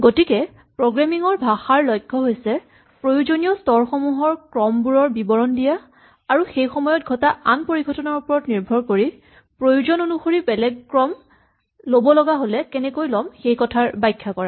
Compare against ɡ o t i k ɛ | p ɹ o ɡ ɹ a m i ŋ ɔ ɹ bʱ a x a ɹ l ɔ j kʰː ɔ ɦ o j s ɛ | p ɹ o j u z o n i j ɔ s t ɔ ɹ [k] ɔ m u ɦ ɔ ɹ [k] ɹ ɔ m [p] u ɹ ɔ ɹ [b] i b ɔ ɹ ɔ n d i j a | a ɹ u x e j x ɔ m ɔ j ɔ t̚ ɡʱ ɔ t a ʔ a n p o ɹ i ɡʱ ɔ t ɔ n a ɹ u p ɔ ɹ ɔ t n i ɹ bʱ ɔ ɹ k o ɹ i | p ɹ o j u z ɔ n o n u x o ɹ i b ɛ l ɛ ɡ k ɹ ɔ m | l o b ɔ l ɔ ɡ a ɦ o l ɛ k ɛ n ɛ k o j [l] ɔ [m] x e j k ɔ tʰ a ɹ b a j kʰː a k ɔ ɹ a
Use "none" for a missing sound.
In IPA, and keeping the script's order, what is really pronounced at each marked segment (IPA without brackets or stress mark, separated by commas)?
x, k, b, b, l, m